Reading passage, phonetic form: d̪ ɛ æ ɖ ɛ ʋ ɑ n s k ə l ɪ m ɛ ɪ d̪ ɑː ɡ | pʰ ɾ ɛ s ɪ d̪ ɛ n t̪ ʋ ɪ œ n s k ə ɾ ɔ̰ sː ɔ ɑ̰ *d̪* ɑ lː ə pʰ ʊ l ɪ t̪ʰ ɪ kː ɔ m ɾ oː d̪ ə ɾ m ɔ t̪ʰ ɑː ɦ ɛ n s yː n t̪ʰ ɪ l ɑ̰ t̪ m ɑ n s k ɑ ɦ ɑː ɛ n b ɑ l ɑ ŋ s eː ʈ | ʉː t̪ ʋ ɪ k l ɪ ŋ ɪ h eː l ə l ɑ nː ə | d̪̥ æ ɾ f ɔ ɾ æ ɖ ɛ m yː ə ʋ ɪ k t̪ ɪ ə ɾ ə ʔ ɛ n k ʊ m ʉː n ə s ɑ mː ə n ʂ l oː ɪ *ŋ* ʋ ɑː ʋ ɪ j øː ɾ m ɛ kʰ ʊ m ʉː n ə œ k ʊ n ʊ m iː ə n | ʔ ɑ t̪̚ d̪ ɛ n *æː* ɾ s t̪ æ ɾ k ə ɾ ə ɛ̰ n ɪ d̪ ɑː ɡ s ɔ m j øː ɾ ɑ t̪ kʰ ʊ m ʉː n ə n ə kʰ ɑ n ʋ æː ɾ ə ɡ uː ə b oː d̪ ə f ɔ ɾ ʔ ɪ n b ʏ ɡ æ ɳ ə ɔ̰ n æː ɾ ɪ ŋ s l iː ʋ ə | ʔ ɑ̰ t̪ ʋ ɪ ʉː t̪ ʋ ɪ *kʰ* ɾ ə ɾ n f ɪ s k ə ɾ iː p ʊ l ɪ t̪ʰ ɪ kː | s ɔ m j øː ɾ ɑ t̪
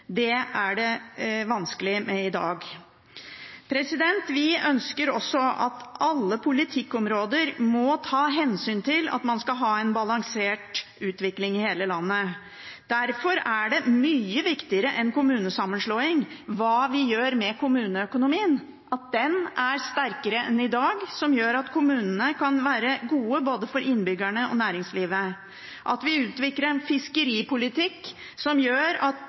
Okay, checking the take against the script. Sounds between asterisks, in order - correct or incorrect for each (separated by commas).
incorrect, correct, incorrect, incorrect